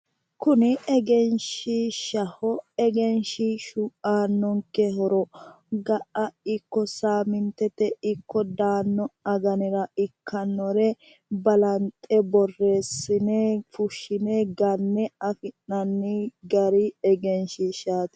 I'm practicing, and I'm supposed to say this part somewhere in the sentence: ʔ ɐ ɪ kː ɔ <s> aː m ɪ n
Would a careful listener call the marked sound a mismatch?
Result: no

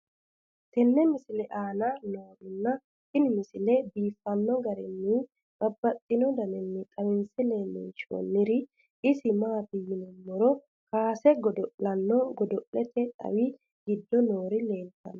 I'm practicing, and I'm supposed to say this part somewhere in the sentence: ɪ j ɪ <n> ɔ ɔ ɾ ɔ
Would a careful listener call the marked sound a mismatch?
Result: no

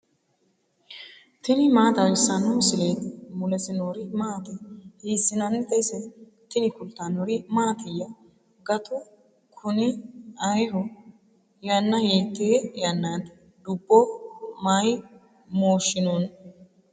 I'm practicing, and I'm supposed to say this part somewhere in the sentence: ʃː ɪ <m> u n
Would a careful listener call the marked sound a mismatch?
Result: yes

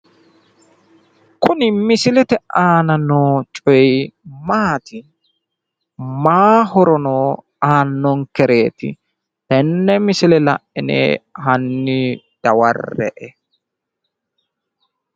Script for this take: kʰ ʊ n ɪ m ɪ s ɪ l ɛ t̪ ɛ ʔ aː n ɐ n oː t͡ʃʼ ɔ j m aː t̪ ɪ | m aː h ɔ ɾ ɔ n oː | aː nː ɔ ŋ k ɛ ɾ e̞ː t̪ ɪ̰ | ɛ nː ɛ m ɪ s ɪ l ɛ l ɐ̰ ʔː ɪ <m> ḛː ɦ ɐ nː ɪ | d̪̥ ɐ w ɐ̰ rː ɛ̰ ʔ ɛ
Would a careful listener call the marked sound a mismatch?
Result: yes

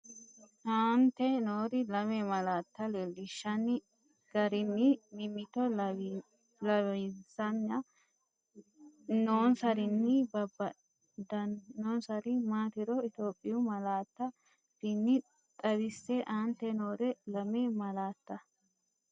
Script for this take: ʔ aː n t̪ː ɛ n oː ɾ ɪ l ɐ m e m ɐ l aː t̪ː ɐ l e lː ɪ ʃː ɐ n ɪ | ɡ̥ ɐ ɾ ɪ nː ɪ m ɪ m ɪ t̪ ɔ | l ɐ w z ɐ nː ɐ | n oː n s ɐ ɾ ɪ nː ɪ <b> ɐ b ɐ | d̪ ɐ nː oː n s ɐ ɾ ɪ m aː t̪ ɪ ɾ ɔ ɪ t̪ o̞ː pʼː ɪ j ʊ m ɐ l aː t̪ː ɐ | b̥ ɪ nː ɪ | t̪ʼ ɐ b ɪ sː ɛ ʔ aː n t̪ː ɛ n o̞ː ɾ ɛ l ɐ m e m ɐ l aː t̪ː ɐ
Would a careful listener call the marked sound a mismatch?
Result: no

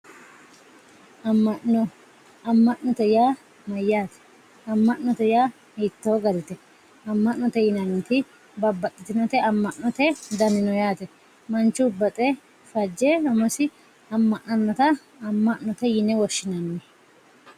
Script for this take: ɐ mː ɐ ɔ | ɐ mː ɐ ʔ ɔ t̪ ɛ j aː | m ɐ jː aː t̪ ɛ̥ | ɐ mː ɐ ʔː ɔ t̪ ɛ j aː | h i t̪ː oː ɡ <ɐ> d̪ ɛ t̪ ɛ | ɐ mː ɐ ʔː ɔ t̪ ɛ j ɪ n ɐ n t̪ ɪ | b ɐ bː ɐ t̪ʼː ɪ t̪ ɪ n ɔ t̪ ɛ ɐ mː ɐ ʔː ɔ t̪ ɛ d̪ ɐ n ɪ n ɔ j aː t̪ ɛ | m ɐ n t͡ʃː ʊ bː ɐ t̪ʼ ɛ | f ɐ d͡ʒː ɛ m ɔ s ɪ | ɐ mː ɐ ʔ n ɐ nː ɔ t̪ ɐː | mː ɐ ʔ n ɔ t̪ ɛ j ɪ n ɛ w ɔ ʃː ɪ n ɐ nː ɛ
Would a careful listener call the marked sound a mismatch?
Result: no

